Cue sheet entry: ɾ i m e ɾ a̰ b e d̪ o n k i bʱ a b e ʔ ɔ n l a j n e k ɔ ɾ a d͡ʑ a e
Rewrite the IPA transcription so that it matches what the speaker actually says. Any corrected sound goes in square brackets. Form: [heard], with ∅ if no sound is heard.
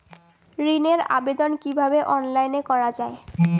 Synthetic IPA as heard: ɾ i [n] e ɾ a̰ b e d̪ o n k i bʱ a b e ʔ ɔ n l a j n e k ɔ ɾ a d͡ʑ a e